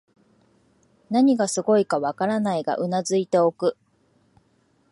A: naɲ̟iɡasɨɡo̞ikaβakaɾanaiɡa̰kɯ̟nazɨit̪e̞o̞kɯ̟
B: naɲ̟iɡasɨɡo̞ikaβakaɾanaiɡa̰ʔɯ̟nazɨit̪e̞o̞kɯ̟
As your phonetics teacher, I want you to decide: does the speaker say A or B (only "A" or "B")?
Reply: B